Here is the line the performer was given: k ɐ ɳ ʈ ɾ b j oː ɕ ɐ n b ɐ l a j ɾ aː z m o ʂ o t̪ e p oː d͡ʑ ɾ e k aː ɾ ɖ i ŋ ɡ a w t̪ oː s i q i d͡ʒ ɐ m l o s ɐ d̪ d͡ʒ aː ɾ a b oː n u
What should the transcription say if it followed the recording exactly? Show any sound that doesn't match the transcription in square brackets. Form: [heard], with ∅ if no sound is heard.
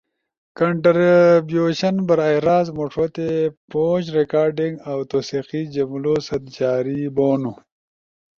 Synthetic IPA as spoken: k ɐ ɳ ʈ ɾ b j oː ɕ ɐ n b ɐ [ɾ] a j ɾ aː z m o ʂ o t̪ e p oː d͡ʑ ɾ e k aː ɾ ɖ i ŋ ɡ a w t̪ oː s i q i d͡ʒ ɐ m l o s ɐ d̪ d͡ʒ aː ɾ [i] b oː n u